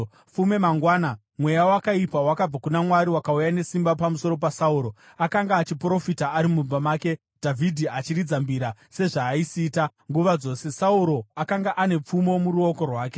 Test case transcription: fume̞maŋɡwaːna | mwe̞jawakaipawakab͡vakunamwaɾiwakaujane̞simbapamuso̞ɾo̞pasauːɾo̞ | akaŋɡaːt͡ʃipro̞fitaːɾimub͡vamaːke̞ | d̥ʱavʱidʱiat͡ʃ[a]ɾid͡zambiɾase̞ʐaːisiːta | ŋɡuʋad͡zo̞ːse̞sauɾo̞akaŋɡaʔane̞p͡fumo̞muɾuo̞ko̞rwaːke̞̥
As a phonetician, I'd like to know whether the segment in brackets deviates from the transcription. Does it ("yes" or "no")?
yes